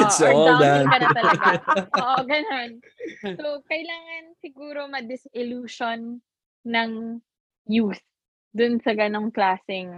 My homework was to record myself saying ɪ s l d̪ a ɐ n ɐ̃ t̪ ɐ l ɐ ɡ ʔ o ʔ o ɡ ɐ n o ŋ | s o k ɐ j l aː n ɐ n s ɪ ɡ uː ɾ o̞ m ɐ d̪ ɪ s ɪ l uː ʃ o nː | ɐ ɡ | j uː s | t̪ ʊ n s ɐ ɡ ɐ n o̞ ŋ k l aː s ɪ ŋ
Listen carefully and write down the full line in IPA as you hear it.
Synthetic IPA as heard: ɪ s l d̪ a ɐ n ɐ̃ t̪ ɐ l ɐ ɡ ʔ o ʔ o ɡ ɐ n o n | s o k ɐ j l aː ŋ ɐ n s ɪ ɡ uː ɾ o̞ m ɐ d̪ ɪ s ɪ l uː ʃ o nː | ɐ ŋ | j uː s | d̪ ʊ n s ɐ ɡ ɐ n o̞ ŋ k l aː s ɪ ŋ